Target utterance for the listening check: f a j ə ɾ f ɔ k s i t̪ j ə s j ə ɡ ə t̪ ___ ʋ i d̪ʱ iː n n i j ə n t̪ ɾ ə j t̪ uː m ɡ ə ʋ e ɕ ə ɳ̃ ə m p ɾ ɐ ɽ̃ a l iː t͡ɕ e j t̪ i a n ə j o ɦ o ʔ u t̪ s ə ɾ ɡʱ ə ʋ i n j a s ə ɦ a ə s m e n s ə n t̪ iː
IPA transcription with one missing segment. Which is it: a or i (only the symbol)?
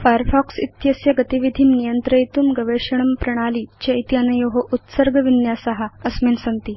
i